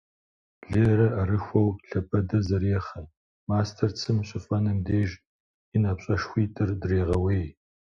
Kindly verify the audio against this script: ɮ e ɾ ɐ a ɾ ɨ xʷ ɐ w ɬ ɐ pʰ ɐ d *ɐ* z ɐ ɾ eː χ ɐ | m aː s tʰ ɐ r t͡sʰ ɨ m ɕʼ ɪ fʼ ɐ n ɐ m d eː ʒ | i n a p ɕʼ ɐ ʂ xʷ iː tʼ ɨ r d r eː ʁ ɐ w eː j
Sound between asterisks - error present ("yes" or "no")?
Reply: no